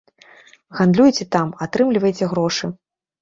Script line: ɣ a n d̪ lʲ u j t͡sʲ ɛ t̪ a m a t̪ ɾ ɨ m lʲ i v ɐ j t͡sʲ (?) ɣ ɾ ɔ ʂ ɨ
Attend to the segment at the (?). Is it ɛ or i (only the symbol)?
ɛ